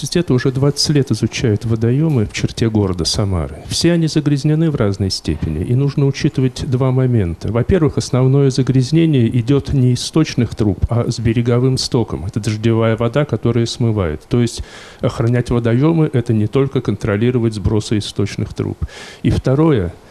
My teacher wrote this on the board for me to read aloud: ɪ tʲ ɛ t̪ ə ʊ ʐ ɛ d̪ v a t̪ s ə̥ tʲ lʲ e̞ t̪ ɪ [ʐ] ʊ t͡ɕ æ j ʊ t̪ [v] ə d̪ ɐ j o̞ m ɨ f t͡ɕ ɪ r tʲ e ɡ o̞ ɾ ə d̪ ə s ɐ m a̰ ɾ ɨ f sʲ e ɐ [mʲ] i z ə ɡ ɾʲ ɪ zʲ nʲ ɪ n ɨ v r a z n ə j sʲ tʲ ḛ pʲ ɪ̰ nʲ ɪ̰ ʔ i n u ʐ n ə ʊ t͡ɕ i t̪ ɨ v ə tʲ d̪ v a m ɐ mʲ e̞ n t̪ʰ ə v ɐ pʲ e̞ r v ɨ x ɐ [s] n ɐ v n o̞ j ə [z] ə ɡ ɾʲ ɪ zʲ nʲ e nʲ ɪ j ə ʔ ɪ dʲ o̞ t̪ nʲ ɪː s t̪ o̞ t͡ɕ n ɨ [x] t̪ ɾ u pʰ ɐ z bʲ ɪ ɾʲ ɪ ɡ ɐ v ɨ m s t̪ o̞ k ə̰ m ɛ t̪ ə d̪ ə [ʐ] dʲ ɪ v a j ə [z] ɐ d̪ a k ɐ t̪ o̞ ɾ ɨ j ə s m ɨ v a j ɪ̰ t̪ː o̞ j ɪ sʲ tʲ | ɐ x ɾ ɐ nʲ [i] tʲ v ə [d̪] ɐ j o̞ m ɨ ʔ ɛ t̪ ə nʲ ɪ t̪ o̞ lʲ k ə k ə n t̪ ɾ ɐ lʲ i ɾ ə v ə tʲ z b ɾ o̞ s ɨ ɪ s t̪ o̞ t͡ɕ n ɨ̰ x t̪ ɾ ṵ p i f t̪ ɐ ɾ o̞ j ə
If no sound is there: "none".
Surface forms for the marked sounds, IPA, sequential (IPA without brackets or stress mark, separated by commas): z, v, nʲ, s, z, x, ʐ, v, æ, d̪